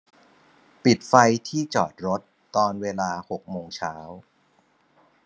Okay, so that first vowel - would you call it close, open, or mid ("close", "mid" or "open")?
close